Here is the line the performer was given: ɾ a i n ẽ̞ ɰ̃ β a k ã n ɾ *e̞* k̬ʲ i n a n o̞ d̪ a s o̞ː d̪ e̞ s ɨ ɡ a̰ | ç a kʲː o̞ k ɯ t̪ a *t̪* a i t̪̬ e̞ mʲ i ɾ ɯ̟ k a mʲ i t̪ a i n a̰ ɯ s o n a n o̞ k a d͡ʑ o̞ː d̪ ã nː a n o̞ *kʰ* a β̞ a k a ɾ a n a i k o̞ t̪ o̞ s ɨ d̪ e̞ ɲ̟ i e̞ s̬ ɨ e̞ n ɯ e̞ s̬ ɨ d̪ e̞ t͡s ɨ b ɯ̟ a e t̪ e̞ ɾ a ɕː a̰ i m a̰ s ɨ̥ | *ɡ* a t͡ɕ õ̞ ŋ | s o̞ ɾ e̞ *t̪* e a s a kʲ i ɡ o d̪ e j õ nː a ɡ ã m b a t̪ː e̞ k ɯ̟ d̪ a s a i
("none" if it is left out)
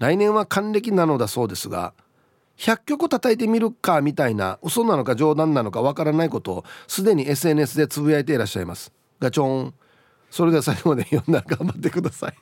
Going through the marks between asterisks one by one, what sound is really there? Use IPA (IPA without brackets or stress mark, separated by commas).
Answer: e̞, t̪, k, ɡ, d̪